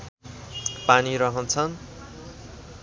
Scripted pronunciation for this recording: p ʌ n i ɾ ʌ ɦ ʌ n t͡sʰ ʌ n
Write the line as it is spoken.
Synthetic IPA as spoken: p a n i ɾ ʌ ɦ ʌ n t͡sʰ ʌ n